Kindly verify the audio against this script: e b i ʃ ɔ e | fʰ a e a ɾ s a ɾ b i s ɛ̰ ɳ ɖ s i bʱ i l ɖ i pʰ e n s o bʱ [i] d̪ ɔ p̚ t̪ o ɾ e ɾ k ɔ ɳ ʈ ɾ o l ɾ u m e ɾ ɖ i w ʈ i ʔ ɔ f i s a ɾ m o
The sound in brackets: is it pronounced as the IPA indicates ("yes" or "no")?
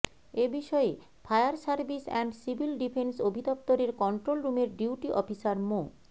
yes